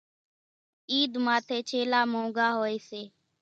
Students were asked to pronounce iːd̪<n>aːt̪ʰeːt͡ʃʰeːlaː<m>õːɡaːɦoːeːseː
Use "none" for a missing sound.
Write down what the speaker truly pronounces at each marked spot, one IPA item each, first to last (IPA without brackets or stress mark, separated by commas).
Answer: m, m